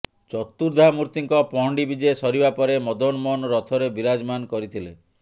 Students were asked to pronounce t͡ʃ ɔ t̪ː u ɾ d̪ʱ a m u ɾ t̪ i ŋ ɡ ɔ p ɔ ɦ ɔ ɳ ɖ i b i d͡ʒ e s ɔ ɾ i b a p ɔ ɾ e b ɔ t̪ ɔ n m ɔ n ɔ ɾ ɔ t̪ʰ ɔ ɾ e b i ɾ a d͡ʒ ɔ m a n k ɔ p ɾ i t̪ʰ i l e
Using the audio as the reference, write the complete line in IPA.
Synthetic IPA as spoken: t͡ʃ ɔ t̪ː u ɾ d̪ʱ a m u ɾ t̪ i ŋ k ɔ p ɔ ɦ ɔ ɳ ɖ i b i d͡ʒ e s ɔ ɾ i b a p ɔ ɾ e m ɔ d̪ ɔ n m ɔ n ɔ ɾ ɔ t̪ʰ ɔ ɾ e b i ɾ a d͡ʒ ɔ m a n k ɔ ɾ i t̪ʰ i l e